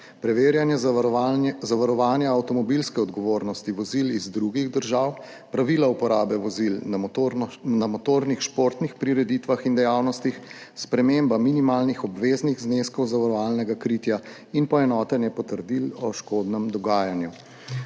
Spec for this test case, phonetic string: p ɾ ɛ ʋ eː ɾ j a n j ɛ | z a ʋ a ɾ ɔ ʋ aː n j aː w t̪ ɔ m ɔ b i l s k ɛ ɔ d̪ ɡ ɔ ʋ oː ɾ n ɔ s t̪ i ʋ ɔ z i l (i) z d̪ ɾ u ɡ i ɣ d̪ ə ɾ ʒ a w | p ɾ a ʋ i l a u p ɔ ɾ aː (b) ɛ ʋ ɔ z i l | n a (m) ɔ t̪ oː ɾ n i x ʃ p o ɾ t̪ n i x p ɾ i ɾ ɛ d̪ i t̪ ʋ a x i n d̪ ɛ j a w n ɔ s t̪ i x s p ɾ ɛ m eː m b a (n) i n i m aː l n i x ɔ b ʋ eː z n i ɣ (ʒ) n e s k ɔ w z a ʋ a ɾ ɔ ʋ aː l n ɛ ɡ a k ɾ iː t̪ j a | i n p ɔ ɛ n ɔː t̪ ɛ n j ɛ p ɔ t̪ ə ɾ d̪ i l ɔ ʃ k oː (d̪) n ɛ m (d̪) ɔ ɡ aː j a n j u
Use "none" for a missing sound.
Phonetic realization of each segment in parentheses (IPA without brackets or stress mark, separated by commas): i, b, m, m, z, d̪, d̪